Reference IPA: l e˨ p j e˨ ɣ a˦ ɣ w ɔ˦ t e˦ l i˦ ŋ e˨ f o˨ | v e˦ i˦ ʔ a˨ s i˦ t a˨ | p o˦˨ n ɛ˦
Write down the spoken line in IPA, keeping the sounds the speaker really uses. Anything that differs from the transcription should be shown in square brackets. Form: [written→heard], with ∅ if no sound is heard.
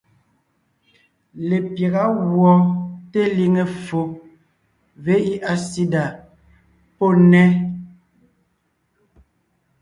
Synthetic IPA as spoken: l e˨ p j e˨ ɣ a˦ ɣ w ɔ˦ t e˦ l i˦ ŋ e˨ f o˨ | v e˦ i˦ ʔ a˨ s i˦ [t→d] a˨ | p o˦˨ n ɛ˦